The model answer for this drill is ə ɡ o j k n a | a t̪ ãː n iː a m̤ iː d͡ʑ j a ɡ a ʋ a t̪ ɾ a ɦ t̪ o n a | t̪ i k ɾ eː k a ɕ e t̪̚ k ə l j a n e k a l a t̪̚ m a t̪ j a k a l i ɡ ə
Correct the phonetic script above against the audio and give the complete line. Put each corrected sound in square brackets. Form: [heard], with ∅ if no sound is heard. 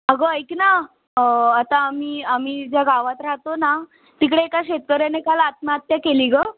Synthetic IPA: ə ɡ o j k n a | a t̪ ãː [m] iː a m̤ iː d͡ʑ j a ɡ a ʋ a t̪ ɾ a ɦ t̪ o n a | t̪ i k [ɽ] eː k a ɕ e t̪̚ k ə [ɾ] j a n e k a l a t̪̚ m a t̪ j a k [e] l i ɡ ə

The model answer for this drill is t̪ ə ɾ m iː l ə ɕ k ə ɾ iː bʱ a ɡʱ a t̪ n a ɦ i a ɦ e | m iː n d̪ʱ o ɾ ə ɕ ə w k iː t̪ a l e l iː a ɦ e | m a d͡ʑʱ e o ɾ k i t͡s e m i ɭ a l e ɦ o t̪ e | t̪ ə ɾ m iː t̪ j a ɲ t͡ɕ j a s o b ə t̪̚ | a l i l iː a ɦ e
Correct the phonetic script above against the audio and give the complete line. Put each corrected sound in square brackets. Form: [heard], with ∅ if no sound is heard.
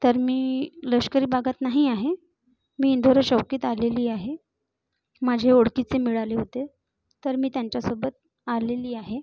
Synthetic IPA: t̪ ə ɾ m iː l ə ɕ k ə ɾ iː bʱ a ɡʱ a t̪ n a ɦ i a ɦ e | m iː n d̪ʱ o ɾ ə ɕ ə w k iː t̪ a l e l iː a ɦ e | m a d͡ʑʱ e o [ɽ] k i t͡s e m i ɭ a l e ɦ o t̪ e | t̪ ə ɾ m iː t̪ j a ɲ t͡ɕ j a s o b ə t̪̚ | a l [e] l iː a ɦ e

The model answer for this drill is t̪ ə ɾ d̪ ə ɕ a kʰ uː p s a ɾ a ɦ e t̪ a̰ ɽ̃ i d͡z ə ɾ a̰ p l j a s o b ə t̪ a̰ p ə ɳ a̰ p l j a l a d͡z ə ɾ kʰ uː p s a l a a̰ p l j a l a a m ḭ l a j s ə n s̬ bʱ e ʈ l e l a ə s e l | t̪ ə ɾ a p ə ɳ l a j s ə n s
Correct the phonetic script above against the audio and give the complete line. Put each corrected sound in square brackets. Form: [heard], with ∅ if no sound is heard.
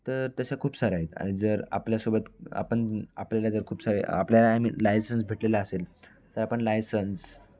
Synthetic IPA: t̪ ə ɾ [t̪] ə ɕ a kʰ uː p s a ɾ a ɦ e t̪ a̰ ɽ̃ i d͡z ə ɾ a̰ p l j a s o b ə t̪ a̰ p ə ɳ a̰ p l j a l a d͡z ə ɾ kʰ uː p s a [ɾ] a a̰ p l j a l a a m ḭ l a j s ə n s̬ bʱ e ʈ l e l a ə s e l | t̪ ə ɾ a p ə ɳ l a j s ə n s

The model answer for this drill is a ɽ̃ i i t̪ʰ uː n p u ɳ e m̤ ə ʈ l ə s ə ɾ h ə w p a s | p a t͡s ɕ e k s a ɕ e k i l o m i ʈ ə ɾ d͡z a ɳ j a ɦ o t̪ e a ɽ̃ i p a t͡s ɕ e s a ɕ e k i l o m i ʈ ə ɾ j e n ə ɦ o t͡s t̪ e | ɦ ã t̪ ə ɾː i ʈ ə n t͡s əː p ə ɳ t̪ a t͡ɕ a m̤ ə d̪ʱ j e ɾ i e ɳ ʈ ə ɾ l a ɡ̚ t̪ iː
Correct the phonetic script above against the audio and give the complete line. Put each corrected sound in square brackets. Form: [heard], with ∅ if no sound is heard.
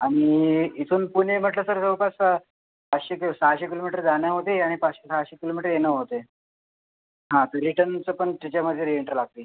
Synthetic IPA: a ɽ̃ i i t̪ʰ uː n p u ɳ e m̤ ə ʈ l ə s ə ɾ [s] ə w p a s | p a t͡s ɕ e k s a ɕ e k i l o m i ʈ ə ɾ d͡z a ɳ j a ɦ o t̪ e a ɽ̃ i p a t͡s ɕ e s a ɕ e k i l o m i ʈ ə ɾ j e n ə ɦ o [∅] t̪ e | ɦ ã t̪ ə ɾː i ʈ ə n t͡s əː p ə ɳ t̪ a t͡ɕ a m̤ ə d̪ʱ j e ɾ i e ɳ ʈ ə ɾ l a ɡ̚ t̪ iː

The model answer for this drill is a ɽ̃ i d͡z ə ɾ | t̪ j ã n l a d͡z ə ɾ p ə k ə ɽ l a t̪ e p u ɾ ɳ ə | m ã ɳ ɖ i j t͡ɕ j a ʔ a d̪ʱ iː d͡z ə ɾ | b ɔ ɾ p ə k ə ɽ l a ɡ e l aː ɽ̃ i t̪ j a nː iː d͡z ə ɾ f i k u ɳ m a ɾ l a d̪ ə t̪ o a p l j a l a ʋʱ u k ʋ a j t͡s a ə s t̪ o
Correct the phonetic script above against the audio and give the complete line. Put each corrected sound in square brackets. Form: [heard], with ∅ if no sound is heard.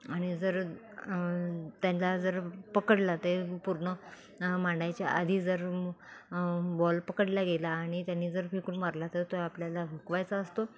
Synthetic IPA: a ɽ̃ i d͡z ə ɾ | t̪ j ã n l a d͡z ə ɾ p ə k ə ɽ l a t̪ e p u ɾ ɳ ə | m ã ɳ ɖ [a] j t͡ɕ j a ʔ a d̪ʱ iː d͡z ə ɾ | b ɔ [l] p ə k ə ɽ l a ɡ e l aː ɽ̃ i t̪ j a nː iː d͡z ə ɾ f i k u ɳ m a ɾ l a [t̪] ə t̪ o a p l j a l a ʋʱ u k ʋ a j t͡s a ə s t̪ o

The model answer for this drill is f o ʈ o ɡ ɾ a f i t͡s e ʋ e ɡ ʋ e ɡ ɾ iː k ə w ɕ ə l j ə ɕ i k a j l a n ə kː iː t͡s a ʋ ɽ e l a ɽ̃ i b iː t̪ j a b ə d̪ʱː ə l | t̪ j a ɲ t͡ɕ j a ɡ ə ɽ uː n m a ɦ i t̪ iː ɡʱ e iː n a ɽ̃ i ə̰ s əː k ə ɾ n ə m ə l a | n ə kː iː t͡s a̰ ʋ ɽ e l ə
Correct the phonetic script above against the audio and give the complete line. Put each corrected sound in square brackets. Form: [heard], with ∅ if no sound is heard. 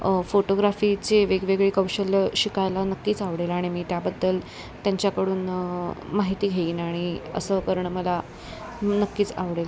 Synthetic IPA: f o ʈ o ɡ ɾ a f i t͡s e ʋ e ɡ ʋ e ɡ [ɭ] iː k ə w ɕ ə l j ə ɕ i k a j l a n ə kː iː t͡s a ʋ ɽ e l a ɽ̃ i [m] iː t̪ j a b ə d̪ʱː ə l | t̪ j a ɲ t͡ɕ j a [k] ə ɽ uː n m a ɦ i t̪ iː ɡʱ e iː n a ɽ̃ i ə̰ s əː k ə ɾ [ɳ] ə m ə l a | n ə kː iː t͡s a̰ ʋ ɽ e l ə

